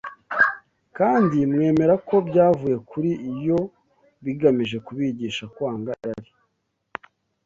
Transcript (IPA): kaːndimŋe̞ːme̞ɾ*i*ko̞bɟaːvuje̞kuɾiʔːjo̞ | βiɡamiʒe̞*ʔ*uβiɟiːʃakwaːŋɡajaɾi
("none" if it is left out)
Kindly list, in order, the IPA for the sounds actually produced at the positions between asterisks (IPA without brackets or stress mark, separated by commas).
a, k